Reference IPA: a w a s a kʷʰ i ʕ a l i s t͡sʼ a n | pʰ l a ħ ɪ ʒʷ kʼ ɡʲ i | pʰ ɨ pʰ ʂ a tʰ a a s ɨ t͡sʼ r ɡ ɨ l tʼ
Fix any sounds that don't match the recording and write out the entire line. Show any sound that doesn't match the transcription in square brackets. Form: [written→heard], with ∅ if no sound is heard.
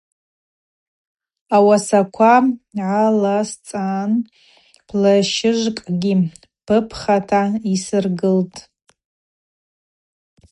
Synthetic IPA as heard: a w a s a kʷʰ [i→a] ʕ a l [i→a] s t͡sʼ a n | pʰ l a [ħ→ʃ] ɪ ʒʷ kʼ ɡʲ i | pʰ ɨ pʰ [ʂ→χ] a tʰ a [a→i] s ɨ [t͡sʼ→∅] r ɡ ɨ l tʼ